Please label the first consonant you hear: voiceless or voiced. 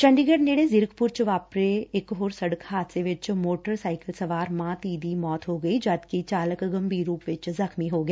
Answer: voiceless